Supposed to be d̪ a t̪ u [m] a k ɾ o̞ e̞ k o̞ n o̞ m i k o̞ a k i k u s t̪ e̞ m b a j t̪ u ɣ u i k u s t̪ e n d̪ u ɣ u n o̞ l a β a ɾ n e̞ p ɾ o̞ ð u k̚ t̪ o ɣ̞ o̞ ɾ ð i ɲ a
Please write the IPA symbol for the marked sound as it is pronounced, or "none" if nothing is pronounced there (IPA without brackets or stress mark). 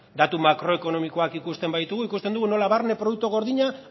m